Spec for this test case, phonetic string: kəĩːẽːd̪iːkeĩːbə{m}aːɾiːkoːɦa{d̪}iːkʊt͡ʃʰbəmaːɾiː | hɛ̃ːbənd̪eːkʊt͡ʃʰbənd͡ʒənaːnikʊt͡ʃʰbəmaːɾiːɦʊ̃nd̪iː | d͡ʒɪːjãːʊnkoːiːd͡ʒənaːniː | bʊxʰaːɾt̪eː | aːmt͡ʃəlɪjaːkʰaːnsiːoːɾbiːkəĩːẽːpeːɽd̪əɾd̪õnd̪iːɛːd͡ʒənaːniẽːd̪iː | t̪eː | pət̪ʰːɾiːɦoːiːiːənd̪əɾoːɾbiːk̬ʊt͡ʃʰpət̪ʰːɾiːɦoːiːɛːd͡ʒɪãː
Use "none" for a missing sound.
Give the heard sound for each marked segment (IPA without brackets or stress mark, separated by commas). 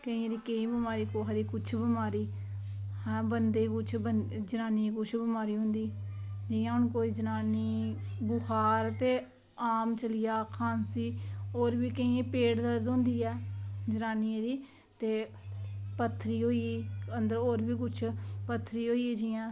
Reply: m, d̪